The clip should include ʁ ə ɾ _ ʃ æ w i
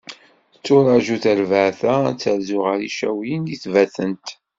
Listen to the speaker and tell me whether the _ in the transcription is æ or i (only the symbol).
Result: i